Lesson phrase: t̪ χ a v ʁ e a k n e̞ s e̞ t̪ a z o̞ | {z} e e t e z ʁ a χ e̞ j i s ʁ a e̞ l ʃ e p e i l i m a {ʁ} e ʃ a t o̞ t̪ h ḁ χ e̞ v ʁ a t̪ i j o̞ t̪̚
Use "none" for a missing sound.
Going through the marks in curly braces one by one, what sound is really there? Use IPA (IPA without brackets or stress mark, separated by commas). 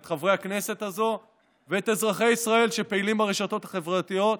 v, ʁ